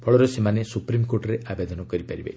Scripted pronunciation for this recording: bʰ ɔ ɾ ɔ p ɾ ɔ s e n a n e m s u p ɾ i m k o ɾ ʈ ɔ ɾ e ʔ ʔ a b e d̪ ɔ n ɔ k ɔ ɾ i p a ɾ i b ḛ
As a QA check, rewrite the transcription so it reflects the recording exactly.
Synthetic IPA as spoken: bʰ ɔ ɭ ɔ ɾ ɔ s e m a n e s u p ɾ i m k o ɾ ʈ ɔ ɾ e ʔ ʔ a b e d̪ ɔ n ɔ k ɔ ɾ i p a ɾ i b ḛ